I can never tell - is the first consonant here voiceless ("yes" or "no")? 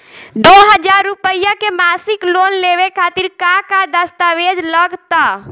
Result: no